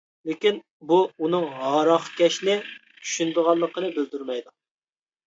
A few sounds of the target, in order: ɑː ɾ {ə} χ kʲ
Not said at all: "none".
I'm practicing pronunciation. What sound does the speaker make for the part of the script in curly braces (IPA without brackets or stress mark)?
ɑ